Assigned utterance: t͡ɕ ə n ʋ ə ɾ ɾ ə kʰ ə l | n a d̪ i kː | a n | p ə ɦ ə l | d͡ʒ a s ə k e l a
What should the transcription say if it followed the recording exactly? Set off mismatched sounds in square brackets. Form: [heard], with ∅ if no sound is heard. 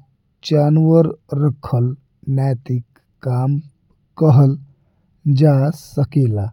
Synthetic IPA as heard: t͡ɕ [a] n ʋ ə ɾ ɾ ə kʰ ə l | n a [t̪] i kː | a [m] | [k] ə ɦ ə l | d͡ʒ a s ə k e l a